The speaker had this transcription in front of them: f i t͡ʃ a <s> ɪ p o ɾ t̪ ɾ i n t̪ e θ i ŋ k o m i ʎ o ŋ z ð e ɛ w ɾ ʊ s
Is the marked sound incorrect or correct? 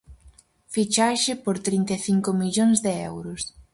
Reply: incorrect: ʃ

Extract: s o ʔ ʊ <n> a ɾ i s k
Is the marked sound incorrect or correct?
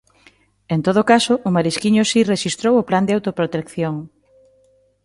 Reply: incorrect: m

